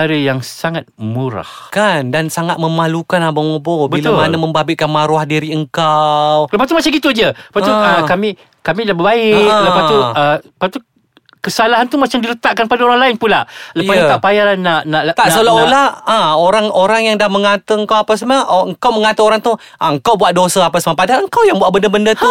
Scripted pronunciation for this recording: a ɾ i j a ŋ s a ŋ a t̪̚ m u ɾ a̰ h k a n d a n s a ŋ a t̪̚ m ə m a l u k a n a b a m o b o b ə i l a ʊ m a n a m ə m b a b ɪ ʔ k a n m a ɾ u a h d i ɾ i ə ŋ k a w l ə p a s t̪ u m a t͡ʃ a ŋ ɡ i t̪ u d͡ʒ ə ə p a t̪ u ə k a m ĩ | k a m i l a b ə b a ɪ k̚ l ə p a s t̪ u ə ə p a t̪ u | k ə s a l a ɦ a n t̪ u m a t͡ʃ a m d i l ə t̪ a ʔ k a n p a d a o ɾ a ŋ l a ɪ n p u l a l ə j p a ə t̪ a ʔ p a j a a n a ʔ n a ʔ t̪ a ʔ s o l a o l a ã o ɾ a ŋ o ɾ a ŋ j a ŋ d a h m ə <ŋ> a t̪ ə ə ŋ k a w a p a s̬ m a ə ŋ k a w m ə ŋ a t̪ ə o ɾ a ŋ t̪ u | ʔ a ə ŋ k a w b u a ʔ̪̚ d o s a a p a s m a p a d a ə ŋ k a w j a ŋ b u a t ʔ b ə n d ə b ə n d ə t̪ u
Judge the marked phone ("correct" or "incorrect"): correct